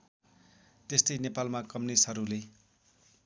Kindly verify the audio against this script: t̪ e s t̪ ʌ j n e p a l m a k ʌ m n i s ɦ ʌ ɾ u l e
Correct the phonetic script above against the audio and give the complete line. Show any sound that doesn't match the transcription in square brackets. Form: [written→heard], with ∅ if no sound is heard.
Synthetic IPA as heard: t̪ e s t̪ ʌ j n e p a l m a k ʌ m n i s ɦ ʌ ɾ u l e